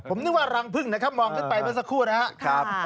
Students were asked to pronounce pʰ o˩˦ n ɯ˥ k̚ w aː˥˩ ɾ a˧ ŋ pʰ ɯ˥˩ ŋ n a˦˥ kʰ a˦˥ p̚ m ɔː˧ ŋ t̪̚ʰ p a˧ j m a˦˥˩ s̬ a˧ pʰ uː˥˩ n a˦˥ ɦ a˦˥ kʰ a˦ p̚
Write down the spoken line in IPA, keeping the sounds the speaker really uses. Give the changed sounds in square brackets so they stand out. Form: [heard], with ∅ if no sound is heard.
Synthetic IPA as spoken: pʰ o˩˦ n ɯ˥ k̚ w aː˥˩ ɾ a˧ ŋ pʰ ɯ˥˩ ŋ n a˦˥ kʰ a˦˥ p̚ m ɔː˧ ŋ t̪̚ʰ p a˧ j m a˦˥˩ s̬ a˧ [kʰ] uː˥˩ n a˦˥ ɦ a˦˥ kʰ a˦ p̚

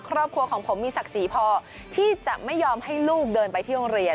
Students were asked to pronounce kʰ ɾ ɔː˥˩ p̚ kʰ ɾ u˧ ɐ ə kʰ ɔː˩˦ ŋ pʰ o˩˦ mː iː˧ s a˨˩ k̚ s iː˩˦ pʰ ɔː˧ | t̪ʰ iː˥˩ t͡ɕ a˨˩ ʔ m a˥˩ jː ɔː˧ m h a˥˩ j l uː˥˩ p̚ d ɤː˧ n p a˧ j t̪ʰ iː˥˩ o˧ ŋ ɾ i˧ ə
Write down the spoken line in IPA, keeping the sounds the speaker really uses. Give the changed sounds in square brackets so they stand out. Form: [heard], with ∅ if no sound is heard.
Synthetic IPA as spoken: kʰ ɾ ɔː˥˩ p̚ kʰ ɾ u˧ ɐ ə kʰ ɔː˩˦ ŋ pʰ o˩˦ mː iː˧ s a˨˩ k̚ s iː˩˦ pʰ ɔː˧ | t̪ʰ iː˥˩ t͡ɕ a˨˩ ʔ m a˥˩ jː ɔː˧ m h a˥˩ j l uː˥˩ [k̚] d ɤː˧ n p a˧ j t̪ʰ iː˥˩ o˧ ŋ ɾ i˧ ə

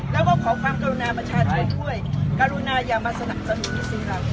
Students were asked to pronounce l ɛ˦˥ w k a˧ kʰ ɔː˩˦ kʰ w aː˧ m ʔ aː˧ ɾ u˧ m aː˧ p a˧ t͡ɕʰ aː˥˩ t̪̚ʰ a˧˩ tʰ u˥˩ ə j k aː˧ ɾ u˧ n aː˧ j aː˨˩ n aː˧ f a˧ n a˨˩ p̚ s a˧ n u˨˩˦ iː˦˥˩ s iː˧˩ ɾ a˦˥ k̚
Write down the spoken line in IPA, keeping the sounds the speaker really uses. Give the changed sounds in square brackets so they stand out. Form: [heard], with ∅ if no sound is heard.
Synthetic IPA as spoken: l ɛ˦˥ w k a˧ kʰ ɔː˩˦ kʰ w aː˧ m [k] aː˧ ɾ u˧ [n] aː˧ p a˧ t͡ɕʰ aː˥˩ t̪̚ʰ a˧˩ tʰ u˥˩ ə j k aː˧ ɾ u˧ n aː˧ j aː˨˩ [m] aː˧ [s] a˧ n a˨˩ p̚ s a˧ n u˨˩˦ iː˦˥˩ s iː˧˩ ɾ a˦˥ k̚

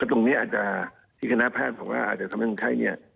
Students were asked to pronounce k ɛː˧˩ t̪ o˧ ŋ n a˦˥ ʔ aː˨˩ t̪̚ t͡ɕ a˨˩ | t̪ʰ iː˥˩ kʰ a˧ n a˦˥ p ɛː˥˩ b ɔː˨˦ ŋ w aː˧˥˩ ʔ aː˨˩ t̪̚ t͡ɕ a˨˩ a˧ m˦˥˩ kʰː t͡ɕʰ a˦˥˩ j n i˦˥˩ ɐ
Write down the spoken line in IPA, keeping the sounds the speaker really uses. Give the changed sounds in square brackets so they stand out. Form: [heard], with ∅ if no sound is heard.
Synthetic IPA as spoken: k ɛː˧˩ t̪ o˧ ŋ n [i˦˥] ʔ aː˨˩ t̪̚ t͡ɕ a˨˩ | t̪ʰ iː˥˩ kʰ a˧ n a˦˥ [pʰ] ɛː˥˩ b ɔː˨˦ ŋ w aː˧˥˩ ʔ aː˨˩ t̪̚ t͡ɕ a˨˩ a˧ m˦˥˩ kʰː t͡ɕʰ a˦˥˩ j n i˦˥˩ ɐ

